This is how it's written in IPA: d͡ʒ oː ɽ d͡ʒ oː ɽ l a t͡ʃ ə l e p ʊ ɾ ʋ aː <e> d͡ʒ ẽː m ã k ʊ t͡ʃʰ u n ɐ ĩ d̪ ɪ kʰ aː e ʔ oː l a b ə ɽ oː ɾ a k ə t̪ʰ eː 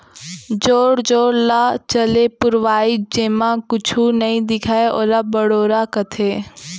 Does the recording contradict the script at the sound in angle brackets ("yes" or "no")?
yes